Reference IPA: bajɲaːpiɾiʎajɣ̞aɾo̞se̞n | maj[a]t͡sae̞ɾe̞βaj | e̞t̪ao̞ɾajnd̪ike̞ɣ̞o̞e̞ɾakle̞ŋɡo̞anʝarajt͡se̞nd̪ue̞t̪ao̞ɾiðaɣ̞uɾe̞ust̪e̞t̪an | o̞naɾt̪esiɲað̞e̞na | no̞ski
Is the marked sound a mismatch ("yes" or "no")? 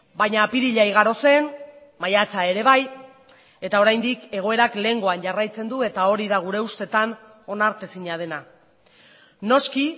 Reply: no